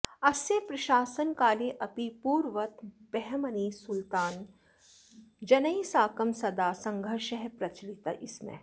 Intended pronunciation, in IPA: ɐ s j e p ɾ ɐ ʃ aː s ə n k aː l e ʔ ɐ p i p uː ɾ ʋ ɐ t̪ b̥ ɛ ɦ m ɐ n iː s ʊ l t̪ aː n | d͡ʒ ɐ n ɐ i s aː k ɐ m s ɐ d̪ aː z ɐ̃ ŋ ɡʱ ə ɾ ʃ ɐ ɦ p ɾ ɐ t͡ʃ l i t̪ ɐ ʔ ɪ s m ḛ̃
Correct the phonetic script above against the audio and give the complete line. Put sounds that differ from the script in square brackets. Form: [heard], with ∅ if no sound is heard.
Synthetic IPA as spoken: ɐ s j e p ɾ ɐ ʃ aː s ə n k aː l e ʔ ɐ p i p uː ɾ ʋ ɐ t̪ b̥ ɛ ɦ m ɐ n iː s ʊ l t̪ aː n | d͡ʒ ɐ n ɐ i s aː k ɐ m s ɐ d̪ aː [s] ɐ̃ ŋ ɡʱ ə ɾ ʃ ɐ ɦ p ɾ ɐ t͡ʃ l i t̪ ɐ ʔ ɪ s m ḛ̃